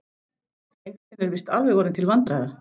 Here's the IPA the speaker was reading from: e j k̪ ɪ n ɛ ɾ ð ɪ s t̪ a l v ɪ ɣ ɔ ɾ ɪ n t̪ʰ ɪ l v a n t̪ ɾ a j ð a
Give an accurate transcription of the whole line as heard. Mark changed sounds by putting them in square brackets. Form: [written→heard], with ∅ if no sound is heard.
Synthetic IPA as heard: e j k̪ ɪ n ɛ ɾ [ð→v] ɪ s t̪ a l v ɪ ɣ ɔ ɾ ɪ n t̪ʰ ɪ l v a n t̪ ɾ a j ð a